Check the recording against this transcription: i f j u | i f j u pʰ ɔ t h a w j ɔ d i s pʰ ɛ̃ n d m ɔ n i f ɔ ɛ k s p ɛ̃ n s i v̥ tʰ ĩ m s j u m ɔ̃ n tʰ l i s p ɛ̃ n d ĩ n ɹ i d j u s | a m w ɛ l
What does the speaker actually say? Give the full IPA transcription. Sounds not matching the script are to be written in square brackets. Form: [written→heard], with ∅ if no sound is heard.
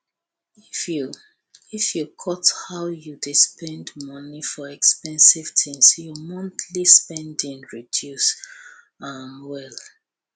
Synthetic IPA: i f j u | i f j u [pʰ→kʰ] ɔ t h a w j [ɔ→u] d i s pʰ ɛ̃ n d m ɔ n i f ɔ ɛ k s p ɛ̃ n s i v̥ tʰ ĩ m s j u m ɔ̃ n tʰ l i s p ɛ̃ n d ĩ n ɹ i d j u s | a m w ɛ l